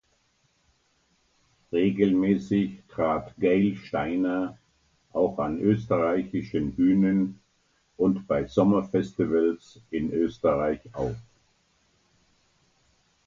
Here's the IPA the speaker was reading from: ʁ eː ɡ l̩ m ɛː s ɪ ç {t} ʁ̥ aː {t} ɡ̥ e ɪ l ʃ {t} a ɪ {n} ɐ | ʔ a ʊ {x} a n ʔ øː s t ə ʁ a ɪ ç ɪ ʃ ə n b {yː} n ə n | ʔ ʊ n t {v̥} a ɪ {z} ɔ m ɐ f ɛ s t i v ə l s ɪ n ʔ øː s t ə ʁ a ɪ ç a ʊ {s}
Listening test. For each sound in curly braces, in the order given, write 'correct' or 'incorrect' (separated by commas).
correct, correct, correct, correct, correct, correct, incorrect, correct, incorrect